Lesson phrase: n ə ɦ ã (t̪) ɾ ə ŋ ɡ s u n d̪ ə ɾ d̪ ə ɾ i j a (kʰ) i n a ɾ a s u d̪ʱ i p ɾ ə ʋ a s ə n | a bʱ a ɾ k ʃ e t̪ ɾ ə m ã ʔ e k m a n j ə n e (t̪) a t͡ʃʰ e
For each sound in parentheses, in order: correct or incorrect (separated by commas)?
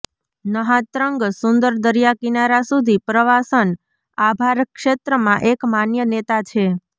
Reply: correct, incorrect, correct